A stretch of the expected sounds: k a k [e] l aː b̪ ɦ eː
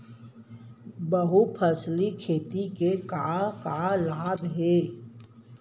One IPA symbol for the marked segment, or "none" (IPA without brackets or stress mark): a